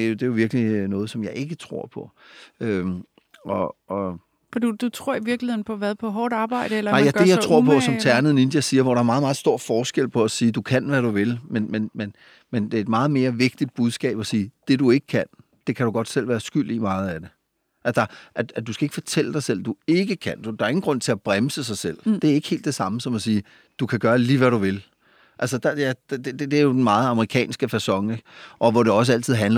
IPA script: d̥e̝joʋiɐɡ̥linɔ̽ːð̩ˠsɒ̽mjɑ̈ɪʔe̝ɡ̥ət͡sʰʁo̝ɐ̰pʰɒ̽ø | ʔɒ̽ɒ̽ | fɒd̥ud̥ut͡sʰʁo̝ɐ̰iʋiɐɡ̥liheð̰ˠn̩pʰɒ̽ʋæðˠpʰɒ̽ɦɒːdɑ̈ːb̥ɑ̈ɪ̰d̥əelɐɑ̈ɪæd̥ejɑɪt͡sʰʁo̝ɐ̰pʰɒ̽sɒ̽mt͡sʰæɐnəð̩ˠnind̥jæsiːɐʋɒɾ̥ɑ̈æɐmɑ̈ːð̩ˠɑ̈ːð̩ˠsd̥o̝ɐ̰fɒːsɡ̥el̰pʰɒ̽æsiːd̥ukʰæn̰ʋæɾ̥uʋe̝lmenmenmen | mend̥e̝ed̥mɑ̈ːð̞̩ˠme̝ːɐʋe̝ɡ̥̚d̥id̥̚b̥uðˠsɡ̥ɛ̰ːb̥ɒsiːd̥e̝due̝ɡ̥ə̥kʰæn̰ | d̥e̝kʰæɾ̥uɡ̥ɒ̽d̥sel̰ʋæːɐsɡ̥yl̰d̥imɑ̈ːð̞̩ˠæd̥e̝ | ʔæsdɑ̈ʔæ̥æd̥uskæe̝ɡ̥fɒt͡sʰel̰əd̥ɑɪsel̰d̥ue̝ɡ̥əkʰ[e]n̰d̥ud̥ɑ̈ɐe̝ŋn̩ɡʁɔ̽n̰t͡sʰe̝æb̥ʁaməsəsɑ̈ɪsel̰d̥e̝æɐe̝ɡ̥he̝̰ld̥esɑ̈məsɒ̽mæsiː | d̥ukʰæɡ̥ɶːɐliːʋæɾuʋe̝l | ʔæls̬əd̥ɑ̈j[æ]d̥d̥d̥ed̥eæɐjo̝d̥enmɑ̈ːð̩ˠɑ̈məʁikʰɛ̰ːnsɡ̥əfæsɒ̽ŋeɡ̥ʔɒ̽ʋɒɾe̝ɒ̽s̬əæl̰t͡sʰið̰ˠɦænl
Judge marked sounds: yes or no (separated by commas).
no, yes